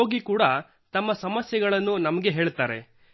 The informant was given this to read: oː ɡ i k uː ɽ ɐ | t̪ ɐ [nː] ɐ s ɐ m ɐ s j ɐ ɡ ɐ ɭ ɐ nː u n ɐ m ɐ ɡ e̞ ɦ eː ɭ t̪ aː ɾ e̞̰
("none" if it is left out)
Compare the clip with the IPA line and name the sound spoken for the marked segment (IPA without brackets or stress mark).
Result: mː